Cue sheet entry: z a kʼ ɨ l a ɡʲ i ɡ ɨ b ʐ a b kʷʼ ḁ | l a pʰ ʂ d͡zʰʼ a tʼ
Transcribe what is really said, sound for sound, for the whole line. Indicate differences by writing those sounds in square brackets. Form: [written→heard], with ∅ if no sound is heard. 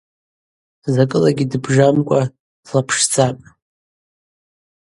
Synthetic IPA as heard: z a kʼ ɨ l a ɡʲ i [ɡ→d] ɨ b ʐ a [b→m] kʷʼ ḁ | l a pʰ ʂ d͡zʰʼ a [tʼ→pʼ]